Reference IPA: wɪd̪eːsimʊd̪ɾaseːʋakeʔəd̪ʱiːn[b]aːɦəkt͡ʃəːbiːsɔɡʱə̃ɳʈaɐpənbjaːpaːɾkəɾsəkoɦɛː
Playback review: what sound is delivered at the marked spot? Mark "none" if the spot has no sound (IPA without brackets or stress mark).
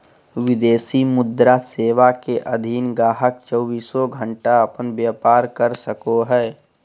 ɡ